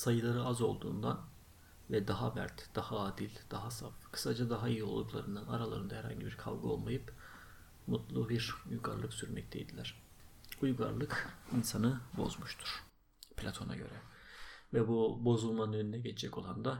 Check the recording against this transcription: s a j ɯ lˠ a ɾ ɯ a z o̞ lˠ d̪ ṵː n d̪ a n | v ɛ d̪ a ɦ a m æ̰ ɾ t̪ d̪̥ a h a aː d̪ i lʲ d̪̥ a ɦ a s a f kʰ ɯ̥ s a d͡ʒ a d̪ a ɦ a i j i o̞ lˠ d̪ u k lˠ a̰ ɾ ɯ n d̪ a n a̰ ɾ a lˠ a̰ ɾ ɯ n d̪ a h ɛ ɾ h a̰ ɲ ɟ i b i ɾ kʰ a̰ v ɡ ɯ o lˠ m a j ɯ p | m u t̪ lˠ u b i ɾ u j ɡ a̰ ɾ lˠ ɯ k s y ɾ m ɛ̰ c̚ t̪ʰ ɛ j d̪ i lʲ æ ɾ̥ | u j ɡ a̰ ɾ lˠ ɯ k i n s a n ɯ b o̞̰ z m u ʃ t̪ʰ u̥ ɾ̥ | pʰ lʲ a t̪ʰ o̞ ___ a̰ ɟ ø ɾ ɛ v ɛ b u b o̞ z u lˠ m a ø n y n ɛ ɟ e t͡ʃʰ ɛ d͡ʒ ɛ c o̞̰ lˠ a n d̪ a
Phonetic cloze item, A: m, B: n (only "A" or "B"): B